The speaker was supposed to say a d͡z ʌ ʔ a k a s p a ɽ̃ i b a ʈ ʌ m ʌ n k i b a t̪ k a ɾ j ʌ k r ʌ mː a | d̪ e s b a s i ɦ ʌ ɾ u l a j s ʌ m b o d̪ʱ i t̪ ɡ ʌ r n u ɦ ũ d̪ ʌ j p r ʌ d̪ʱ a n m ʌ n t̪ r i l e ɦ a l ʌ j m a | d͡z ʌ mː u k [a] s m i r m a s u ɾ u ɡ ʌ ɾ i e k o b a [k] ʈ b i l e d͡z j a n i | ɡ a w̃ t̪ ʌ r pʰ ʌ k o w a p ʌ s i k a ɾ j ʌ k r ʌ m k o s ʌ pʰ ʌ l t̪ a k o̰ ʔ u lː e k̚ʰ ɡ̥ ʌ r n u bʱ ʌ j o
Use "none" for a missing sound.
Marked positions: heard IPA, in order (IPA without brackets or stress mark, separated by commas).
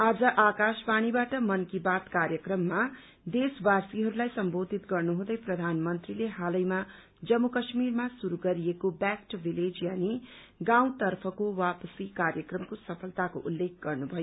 ʌ, k